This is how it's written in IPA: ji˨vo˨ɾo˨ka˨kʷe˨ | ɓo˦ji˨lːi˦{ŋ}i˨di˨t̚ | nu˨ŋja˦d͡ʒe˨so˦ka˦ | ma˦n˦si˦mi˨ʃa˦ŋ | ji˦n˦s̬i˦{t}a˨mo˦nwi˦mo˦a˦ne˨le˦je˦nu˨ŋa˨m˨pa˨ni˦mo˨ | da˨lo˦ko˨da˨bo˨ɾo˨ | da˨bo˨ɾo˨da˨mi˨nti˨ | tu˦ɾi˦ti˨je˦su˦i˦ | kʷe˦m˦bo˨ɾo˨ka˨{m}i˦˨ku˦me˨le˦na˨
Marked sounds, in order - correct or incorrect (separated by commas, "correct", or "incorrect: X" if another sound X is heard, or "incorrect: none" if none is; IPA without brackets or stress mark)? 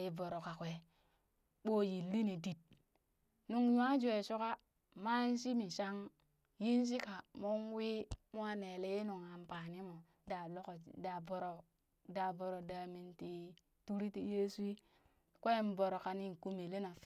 incorrect: n, incorrect: k, incorrect: n